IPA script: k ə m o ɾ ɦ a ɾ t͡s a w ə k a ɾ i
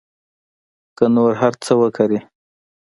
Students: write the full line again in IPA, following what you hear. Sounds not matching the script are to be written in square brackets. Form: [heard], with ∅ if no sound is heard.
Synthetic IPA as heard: k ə [n] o ɾ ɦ a ɾ t͡s [ə] w ə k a ɾ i